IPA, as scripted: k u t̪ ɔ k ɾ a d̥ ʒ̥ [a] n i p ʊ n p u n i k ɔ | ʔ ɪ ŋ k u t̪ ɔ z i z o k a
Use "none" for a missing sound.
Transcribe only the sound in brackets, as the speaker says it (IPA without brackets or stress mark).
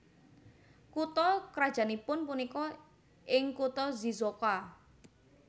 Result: a